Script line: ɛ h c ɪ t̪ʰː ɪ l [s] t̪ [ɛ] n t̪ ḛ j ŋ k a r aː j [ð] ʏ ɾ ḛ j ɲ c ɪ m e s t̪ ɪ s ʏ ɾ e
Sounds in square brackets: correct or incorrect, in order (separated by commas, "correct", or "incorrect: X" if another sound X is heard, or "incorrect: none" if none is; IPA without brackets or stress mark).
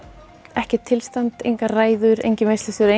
correct, incorrect: a, correct